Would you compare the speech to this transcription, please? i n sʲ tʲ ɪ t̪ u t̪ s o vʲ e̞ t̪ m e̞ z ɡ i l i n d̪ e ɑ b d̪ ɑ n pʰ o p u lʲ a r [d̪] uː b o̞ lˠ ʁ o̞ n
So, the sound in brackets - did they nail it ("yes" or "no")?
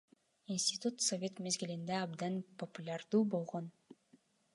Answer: yes